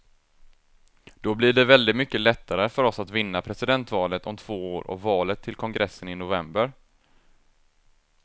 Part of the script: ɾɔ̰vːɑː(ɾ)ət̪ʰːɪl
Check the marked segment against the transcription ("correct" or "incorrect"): incorrect